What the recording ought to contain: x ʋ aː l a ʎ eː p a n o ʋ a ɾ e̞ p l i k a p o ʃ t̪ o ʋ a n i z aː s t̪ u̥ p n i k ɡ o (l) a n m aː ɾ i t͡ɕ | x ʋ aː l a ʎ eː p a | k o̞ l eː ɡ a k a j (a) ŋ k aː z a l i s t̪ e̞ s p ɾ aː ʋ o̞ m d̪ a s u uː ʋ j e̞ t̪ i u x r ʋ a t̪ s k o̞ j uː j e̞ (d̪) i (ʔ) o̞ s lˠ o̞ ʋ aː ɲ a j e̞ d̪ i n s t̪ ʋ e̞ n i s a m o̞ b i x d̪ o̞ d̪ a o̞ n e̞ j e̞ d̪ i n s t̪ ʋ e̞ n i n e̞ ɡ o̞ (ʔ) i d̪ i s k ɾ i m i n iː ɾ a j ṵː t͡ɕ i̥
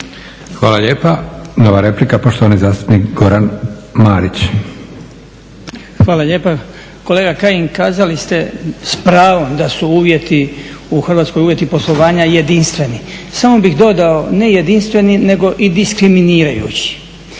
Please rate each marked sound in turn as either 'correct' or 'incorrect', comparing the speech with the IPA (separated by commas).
incorrect, incorrect, incorrect, incorrect, correct